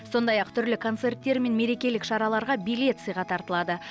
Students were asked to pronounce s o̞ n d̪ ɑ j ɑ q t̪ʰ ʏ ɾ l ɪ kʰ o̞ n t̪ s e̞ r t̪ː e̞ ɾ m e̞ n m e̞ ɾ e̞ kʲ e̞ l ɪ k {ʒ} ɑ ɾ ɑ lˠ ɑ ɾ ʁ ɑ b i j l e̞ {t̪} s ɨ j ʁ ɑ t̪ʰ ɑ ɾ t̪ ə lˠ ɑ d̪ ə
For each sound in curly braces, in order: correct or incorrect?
incorrect: ʃ, correct

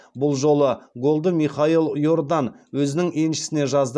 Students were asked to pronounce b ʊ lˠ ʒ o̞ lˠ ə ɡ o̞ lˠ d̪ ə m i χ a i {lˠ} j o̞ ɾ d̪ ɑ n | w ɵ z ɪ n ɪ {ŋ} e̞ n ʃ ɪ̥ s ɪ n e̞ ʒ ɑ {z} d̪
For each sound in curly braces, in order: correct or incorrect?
correct, correct, correct

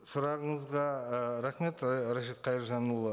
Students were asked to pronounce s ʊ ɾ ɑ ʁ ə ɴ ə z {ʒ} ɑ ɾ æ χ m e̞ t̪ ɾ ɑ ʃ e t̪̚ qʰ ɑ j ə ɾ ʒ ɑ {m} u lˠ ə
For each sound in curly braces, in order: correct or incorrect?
incorrect: ʁ, incorrect: n

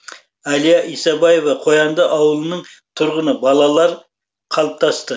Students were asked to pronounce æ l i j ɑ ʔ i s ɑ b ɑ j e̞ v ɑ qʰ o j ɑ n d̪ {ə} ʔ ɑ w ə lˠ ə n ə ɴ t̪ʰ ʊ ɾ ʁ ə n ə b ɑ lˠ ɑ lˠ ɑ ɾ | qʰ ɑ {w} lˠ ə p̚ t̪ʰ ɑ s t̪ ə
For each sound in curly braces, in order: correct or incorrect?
correct, incorrect: none

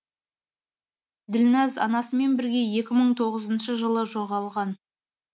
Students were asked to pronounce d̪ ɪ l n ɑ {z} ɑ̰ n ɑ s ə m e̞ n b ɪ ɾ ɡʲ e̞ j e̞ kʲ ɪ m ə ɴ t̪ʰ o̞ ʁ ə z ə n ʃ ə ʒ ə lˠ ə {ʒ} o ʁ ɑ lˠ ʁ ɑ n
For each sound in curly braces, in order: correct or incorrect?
correct, correct

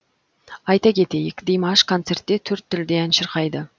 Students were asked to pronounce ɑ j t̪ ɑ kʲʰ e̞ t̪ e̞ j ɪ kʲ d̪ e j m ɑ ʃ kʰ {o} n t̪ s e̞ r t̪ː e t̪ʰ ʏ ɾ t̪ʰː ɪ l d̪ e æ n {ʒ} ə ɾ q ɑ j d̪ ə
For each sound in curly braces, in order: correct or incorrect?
correct, incorrect: ʃ

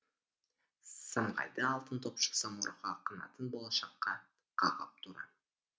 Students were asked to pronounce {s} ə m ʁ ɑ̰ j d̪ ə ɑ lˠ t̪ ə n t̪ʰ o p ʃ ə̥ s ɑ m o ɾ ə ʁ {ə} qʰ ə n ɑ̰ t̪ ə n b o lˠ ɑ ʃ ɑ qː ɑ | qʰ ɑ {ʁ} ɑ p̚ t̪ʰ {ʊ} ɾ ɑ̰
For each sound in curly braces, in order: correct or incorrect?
correct, incorrect: ɑ, correct, incorrect: u

